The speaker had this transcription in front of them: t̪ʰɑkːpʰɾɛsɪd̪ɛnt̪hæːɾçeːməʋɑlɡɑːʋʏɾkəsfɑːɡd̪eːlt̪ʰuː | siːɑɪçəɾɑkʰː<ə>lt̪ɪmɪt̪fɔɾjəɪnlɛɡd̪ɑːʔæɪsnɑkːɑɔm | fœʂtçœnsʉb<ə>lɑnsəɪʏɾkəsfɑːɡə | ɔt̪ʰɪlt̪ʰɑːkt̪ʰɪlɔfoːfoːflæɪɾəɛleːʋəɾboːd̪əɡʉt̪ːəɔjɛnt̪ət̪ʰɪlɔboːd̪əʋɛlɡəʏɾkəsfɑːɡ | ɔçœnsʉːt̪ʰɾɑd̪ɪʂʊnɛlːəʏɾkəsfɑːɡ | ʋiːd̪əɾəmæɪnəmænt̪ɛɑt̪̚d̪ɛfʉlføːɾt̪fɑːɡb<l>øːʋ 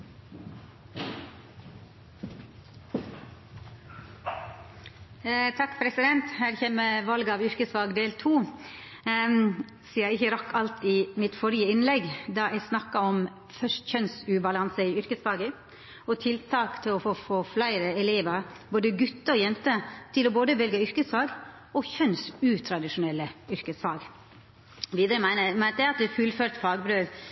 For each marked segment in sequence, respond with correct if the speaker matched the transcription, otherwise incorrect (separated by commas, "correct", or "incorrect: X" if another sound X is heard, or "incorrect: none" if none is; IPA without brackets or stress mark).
incorrect: ɑ, incorrect: ɑ, incorrect: ɾ